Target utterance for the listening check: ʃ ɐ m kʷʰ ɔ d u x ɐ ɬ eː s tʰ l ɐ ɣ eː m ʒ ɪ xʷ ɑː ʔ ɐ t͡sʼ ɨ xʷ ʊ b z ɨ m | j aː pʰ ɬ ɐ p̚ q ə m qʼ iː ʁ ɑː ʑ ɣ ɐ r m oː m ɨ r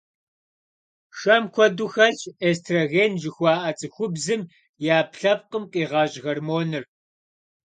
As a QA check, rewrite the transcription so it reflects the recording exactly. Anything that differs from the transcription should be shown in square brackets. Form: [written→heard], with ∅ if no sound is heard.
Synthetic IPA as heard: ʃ ɐ m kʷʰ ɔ d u x ɐ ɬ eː s tʰ [l→r] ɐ ɣ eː [m→n] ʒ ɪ xʷ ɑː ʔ ɐ t͡sʼ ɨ xʷ ʊ b z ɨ m | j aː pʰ ɬ ɐ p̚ q ə m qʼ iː ʁ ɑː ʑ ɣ ɐ r m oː [m→n] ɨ r